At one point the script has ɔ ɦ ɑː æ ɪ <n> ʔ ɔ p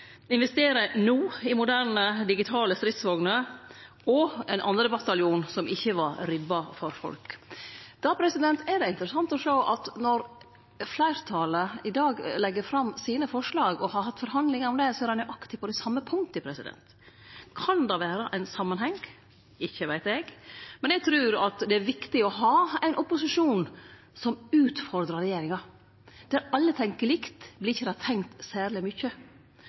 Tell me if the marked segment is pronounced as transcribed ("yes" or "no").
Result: yes